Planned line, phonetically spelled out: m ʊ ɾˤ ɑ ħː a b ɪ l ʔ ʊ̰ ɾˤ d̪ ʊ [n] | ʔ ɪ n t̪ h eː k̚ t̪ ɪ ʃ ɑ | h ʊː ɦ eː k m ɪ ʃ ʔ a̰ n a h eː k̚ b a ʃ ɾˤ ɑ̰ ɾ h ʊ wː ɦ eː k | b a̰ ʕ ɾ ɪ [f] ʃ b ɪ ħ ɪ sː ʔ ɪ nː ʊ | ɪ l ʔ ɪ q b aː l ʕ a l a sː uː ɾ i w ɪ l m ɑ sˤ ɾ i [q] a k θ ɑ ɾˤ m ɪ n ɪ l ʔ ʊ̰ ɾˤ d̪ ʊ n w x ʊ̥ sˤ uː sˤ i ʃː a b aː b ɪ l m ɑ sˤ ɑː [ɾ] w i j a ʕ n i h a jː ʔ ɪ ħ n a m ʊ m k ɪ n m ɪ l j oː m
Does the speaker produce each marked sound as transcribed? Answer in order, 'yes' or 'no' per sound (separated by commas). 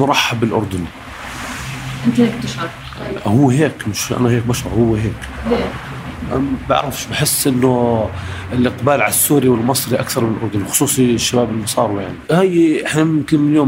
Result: yes, yes, no, yes